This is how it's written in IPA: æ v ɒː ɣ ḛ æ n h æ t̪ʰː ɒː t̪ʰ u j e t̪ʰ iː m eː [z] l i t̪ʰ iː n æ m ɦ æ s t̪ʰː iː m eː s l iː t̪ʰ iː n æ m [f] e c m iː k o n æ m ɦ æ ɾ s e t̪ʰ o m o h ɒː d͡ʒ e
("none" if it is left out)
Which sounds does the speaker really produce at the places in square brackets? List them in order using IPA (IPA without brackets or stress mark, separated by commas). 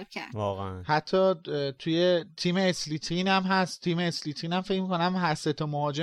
s, f